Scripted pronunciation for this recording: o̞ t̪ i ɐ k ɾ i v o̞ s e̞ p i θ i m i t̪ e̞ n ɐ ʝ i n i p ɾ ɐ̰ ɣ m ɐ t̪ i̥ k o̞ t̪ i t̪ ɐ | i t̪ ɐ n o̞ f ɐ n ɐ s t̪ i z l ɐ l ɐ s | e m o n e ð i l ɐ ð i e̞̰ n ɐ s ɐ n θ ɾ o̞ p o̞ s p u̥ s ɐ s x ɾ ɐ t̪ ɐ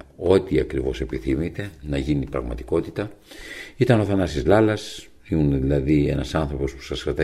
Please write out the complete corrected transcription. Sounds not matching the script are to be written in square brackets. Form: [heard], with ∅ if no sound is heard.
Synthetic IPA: o̞ t̪ i ɐ k ɾ i v o̞ s e̞ p i θ i m i t̪ e̞ n ɐ ʝ i n i p ɾ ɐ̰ ɣ m ɐ t̪ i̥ k o̞ t̪ i t̪ ɐ | i t̪ ɐ n o̞ [θ] ɐ n ɐ s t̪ i z l ɐ l ɐ s | [i] m [u] n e ð i l ɐ ð i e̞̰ n ɐ s ɐ n θ ɾ o̞ p o̞ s p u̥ s ɐ s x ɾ ɐ t̪ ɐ